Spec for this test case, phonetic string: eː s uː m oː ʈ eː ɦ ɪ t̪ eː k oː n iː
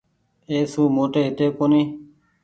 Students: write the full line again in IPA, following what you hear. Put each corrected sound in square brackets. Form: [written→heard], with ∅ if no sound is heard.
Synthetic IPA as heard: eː s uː m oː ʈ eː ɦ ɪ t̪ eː k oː n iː